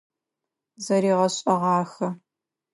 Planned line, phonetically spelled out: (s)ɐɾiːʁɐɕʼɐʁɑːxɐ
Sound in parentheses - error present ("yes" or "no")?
yes